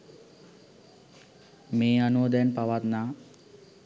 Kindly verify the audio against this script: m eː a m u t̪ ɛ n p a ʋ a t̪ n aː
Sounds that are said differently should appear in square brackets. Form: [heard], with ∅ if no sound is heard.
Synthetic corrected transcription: m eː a [n] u [d̪] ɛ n p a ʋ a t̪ n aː